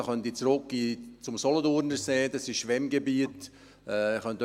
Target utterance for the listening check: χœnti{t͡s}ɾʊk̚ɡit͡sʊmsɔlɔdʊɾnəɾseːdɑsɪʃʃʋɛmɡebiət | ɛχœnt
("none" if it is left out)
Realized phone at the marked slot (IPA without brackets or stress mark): t͡s